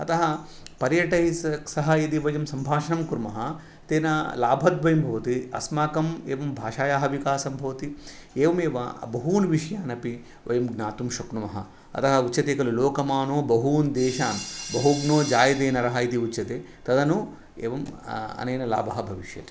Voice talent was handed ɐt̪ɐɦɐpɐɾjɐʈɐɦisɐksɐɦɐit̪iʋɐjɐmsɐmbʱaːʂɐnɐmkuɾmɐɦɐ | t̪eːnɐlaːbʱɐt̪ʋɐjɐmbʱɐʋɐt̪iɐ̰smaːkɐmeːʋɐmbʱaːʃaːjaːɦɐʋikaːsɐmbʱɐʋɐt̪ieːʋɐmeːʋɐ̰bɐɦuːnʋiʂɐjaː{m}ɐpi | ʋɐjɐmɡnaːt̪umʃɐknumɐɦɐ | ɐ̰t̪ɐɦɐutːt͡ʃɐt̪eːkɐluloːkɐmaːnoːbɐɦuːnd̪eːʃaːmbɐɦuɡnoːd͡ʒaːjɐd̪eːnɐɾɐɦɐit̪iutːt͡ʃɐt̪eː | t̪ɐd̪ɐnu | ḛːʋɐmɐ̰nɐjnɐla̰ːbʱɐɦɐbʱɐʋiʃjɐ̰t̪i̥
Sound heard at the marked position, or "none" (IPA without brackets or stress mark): n